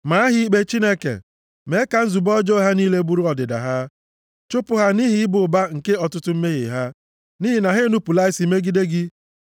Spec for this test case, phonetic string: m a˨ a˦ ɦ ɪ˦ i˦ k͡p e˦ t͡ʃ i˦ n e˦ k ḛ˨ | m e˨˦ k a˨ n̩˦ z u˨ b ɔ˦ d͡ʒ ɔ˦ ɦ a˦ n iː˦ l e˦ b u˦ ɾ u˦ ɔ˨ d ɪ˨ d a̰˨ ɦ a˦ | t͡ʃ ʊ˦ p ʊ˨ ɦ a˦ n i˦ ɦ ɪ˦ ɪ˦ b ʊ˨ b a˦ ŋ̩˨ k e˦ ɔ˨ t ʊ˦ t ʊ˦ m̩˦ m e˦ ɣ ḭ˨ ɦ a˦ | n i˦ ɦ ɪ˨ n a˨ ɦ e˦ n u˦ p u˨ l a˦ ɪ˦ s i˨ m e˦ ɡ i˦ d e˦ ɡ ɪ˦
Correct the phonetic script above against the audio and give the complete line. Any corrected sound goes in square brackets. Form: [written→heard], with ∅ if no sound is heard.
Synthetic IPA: m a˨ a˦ ɦ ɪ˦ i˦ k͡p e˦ t͡ʃ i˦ n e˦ k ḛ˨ | m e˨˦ k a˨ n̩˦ z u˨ b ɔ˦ d͡ʒ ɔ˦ ɦ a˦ n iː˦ l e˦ b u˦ ɾ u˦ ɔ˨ d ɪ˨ d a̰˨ ɦ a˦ | t͡ʃ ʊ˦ p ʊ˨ ɦ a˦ n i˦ ɦ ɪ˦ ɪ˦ b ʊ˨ b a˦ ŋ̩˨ k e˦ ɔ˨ t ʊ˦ t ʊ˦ m̩˦ m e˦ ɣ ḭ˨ ɦ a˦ | n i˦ ɦ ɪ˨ n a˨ ɦ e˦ n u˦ p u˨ l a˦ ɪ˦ s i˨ m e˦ ɡ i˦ d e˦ ɡ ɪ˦